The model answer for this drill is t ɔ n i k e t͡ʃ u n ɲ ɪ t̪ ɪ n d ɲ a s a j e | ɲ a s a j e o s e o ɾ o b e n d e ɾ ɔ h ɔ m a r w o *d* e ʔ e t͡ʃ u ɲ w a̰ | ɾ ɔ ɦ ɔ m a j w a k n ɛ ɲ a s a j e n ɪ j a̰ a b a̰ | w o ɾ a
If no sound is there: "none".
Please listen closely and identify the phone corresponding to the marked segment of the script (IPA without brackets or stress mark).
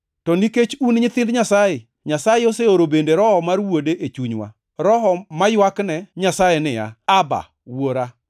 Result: d